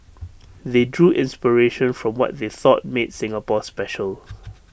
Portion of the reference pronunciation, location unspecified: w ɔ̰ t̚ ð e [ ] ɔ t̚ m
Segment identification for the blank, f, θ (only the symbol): θ